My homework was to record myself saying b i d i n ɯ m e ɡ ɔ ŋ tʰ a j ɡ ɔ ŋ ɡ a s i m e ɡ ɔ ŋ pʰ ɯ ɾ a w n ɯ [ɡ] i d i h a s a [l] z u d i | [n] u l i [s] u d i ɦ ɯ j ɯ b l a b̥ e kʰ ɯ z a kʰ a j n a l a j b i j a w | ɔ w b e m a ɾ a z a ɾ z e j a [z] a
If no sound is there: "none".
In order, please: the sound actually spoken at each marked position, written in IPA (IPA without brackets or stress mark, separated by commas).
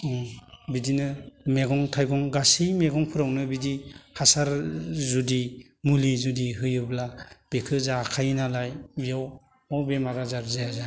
b, ɾ, m, z, z